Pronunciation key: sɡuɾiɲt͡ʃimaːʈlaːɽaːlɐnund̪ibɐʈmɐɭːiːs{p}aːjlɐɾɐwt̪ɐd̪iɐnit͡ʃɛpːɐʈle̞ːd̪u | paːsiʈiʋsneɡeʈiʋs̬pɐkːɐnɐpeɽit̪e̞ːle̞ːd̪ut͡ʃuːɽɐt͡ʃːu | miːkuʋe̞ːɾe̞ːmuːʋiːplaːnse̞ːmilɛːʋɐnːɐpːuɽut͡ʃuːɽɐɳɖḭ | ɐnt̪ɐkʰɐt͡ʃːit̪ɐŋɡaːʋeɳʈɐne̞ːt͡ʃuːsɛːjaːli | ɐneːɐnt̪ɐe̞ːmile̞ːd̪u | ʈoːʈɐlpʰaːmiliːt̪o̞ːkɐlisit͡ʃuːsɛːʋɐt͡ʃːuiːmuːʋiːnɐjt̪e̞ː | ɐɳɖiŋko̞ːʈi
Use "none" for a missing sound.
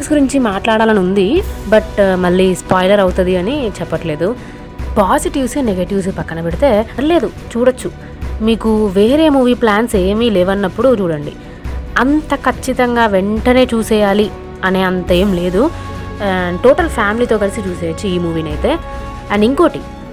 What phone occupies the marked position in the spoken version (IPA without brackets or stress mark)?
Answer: p